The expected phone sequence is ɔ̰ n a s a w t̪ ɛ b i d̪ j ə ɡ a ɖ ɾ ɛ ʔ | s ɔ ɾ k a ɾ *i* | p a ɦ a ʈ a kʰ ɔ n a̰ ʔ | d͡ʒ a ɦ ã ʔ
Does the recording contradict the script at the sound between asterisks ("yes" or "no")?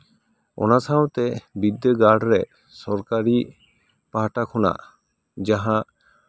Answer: no